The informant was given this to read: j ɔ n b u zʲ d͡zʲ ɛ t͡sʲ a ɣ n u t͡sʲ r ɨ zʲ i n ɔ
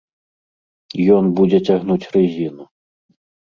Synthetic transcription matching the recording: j ɔ n b u d͡zʲ ɛ t͡sʲ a ɣ n u t͡sʲ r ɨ zʲ i n u